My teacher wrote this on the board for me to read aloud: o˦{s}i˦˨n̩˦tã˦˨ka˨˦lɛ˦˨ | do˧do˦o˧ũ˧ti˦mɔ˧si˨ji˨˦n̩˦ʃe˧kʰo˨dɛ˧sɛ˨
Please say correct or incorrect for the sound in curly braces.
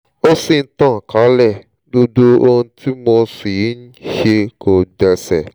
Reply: correct